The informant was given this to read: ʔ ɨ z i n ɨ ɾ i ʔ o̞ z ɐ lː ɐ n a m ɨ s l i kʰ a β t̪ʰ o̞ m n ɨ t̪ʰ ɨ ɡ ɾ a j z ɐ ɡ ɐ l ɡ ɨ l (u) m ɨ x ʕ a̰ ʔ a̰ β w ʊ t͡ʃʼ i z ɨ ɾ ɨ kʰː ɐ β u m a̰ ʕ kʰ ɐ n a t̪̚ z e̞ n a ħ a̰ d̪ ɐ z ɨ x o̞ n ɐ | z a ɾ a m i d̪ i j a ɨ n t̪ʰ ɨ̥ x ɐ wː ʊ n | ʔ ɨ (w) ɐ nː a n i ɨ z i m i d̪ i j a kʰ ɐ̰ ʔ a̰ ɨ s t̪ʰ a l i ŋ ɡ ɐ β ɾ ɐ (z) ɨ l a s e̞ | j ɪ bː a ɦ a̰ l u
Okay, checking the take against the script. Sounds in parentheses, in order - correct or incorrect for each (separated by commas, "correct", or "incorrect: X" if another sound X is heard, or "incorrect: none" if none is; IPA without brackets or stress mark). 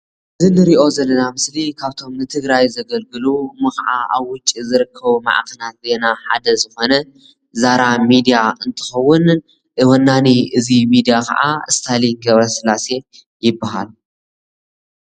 correct, correct, incorrect: s